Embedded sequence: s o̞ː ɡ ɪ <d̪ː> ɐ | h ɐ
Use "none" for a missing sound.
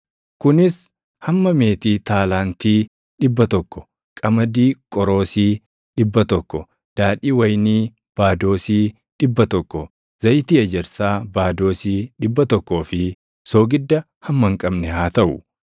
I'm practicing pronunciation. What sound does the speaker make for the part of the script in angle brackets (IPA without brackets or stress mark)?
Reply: d̪ː